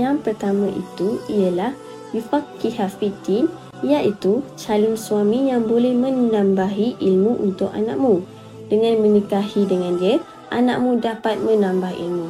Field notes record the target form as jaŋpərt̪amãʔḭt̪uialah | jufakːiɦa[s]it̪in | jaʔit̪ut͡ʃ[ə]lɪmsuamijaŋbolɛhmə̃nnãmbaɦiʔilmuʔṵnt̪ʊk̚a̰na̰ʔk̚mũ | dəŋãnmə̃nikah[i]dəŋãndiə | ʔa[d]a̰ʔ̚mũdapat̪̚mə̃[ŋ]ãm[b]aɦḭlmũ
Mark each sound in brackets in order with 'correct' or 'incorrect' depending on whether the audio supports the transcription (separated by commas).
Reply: incorrect, incorrect, correct, incorrect, incorrect, correct